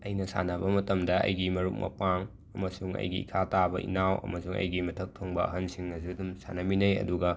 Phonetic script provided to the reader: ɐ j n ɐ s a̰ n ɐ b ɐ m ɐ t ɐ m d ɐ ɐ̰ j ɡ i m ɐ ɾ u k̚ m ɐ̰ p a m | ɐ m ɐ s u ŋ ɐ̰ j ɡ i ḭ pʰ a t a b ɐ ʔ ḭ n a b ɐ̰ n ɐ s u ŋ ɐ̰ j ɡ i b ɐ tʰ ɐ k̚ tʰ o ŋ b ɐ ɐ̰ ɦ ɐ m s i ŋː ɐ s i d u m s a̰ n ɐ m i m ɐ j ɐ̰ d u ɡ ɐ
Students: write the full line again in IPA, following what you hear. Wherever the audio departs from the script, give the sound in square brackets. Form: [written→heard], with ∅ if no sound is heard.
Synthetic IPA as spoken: ɐ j n ɐ s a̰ n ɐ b ɐ m ɐ t ɐ m d ɐ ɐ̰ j ɡ i m ɐ ɾ u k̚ m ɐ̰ p a [m→ŋ] | ɐ m ɐ s u ŋ ɐ̰ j ɡ i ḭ [pʰ→kʰ] a t a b ɐ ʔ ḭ n a [b→w] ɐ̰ [n→m] ɐ s u ŋ ɐ̰ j ɡ i [b→m] ɐ tʰ ɐ k̚ tʰ o ŋ b ɐ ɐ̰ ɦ ɐ [m→n] s i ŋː ɐ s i d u m s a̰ n ɐ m i [m→n] ɐ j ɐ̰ d u ɡ ɐ